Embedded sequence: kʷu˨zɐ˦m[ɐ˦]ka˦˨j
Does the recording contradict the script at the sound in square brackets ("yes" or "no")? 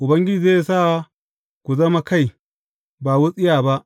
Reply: yes